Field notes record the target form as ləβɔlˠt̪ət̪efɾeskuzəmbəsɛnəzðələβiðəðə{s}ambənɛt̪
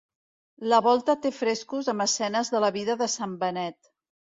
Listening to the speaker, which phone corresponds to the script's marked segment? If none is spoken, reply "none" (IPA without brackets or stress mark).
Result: s